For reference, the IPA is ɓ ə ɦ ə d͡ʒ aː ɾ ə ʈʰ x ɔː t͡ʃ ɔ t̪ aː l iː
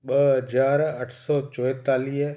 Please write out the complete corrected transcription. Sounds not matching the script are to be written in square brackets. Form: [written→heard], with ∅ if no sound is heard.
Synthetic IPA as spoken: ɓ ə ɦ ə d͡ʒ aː ɾ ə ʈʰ [x→s] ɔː t͡ʃ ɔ t̪ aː l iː